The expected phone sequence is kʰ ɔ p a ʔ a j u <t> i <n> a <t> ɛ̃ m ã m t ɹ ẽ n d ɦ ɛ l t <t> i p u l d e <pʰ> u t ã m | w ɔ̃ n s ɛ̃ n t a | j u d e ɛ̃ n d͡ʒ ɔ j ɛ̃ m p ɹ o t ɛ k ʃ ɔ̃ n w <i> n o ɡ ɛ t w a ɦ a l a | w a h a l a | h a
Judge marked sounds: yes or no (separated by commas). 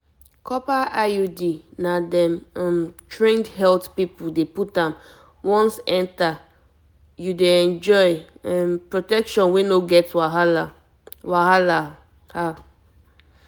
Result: no, yes, no, no, no, no